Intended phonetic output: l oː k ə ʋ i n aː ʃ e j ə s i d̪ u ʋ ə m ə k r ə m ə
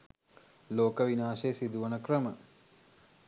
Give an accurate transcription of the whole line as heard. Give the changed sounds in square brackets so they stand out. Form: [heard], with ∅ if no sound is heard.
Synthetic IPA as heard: l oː k ə ʋ i n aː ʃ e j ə s i d̪ u ʋ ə [n] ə k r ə m ə